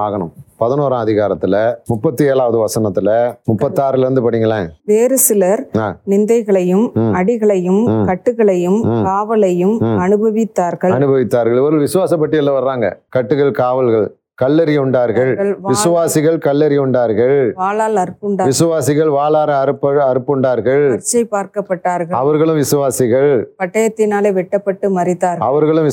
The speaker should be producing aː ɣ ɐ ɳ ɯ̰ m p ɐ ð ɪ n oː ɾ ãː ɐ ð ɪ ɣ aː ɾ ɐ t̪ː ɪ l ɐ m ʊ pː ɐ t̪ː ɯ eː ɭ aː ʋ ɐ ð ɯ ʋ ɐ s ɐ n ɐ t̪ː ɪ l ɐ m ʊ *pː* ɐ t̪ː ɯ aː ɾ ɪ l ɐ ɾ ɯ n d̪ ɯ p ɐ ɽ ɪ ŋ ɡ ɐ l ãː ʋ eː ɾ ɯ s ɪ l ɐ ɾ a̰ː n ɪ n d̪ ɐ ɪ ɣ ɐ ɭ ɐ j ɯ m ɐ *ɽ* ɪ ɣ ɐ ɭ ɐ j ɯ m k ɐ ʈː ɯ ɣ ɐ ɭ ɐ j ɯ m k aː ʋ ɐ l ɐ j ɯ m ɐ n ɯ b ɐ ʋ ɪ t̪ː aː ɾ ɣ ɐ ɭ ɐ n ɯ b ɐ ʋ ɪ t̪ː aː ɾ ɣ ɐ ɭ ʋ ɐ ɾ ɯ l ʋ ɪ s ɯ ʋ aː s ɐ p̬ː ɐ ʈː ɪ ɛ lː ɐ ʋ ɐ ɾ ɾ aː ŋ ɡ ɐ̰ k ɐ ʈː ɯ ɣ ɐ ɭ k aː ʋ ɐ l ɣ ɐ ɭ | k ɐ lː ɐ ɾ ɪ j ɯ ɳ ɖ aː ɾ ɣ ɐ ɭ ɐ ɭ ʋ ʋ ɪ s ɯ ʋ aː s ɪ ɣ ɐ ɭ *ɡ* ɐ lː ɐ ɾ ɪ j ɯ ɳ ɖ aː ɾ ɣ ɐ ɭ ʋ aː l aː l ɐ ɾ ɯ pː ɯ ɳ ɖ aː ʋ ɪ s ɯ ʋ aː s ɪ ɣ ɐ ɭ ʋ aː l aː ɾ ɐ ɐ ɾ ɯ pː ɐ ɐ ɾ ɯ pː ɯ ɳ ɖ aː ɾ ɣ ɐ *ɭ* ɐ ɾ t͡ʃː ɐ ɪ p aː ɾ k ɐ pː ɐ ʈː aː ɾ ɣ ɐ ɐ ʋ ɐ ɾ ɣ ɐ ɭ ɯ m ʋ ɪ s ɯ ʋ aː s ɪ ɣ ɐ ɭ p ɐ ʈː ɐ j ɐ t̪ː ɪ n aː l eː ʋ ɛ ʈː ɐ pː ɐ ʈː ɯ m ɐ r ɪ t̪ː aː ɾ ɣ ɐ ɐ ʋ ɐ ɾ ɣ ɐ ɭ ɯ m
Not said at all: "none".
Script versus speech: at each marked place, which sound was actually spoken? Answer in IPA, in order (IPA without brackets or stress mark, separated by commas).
pː, ɽ, k, ɭ